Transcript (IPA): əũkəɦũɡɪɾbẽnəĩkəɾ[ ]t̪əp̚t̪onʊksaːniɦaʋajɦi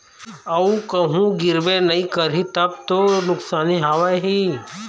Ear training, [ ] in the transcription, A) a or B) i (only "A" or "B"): B